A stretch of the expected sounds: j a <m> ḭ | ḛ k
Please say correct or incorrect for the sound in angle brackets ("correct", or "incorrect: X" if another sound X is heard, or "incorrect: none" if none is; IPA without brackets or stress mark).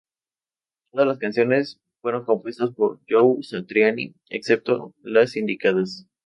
incorrect: n